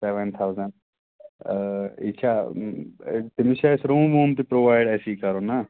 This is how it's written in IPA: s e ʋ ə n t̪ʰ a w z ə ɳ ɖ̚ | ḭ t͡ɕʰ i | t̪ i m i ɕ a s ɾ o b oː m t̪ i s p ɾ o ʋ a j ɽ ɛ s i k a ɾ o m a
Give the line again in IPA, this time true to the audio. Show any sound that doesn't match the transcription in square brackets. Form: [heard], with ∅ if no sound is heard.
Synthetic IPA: s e ʋ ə n t̪ʰ a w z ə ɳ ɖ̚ | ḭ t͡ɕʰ [a] | t̪ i m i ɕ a s ɾ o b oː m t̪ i [∅] p ɾ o ʋ a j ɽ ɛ s i k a ɾ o [n] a

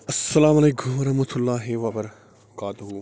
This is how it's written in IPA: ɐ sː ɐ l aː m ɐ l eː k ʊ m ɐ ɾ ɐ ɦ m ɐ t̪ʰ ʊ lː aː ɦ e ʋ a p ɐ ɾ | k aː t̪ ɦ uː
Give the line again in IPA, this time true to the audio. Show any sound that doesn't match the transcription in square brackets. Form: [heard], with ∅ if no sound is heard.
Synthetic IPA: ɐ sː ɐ l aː m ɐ l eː k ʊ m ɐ ɾ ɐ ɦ m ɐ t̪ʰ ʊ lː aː ɦ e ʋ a p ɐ ɾ | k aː t̪ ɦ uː

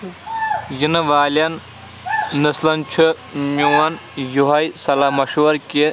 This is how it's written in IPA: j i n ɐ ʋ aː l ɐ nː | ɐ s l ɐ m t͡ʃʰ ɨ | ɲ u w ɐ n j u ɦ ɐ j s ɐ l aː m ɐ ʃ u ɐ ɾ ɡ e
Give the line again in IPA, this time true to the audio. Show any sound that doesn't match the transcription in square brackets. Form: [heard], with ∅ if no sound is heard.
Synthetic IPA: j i n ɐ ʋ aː l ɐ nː | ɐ s l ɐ [n] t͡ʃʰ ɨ | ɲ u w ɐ n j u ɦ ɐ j s ɐ l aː m ɐ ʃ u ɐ ɾ [k] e

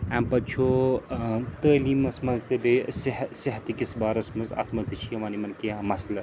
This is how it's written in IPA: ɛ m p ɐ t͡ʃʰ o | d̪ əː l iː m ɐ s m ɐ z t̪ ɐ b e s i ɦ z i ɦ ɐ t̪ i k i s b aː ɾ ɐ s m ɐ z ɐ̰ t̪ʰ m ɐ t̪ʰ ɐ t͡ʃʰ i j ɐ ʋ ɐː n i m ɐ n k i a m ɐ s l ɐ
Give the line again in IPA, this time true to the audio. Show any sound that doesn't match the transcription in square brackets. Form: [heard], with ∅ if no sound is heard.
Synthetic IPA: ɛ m p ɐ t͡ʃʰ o | [t̪] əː l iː m ɐ s m ɐ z t̪ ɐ b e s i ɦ [s] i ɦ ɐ t̪ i k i s b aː ɾ ɐ s m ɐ z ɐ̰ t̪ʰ m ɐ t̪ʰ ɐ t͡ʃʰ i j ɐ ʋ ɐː n i m ɐ n k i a m ɐ s l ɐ

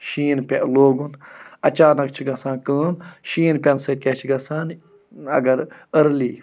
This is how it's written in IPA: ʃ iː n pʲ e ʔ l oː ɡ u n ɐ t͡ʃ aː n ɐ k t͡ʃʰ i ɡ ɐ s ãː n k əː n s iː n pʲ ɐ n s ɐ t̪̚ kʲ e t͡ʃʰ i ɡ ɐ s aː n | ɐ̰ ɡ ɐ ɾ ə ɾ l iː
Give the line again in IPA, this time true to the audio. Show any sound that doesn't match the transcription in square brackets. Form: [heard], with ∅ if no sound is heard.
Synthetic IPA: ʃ iː n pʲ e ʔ l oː ɡ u n ɐ t͡ʃ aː n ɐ k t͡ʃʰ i ɡ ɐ s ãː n k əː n [ʃ] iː n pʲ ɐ n s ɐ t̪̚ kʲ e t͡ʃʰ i ɡ ɐ s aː n | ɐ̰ ɡ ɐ ɾ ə ɾ l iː

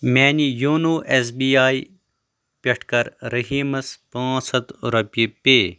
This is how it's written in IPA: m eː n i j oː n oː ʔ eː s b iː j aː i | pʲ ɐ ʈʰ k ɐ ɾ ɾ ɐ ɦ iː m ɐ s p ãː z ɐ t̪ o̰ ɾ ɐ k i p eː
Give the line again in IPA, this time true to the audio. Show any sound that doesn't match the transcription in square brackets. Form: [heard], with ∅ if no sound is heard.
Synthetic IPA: m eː n i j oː n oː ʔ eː s b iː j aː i | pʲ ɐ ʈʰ k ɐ ɾ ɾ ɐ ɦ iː m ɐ s p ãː [s] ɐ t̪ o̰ ɾ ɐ [p] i p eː

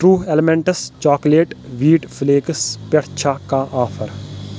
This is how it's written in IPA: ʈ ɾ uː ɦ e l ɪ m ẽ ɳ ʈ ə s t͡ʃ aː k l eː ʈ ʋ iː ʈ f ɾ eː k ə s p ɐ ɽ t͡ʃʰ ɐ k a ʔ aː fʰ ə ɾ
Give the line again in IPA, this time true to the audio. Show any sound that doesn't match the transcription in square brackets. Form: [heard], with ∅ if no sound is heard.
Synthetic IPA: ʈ ɾ uː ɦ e l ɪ m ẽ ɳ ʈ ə s t͡ʃ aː k l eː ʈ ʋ iː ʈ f [l] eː k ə s p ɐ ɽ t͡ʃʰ [a] k a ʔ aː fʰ ə ɾ

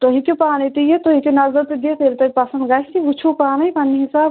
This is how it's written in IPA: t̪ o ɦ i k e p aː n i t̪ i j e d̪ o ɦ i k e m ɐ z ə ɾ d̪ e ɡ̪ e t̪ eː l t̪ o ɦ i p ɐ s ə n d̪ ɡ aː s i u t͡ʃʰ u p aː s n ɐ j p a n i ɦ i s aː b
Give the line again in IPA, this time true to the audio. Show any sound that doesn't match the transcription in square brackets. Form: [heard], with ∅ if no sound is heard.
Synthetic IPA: t̪ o ɦ i k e p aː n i t̪ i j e [t̪] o ɦ i k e [n] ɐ z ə ɾ [t̪] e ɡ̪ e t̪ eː l t̪ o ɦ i p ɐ s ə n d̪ ɡ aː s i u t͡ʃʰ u p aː [∅] n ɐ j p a n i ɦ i s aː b

